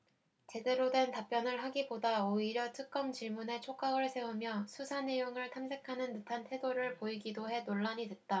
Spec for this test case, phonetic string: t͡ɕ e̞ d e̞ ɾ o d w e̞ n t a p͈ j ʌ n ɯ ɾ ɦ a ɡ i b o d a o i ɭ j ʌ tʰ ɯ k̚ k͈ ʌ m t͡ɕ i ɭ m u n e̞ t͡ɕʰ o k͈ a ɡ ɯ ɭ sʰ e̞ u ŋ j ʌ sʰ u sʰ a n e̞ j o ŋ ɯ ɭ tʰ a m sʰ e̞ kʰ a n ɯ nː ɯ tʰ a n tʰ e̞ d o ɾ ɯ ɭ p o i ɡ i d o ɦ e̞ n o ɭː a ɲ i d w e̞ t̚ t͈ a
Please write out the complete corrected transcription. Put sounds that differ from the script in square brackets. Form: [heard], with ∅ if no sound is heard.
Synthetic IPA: t͡ɕ e̞ d e̞ ɾ o d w e̞ n t a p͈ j ʌ n ɯ [ɭ] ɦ a ɡ i b o d a o i [ɾ] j ʌ tʰ ɯ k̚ k͈ ʌ m t͡ɕ i ɭ m u n e̞ t͡ɕʰ o k͈ a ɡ ɯ ɭ sʰ e̞ u [m] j ʌ sʰ u sʰ a n e̞ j o ŋ ɯ ɭ tʰ a m sʰ e̞ kʰ a n ɯ nː ɯ tʰ a n tʰ e̞ d o ɾ ɯ ɭ p o i ɡ i d o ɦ e̞ n o ɭː a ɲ i d w e̞ t̚ t͈ a